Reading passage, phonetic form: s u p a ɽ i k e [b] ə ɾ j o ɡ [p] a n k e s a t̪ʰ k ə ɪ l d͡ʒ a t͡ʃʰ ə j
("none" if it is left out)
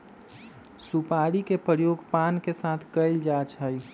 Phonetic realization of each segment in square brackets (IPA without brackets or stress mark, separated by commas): p, p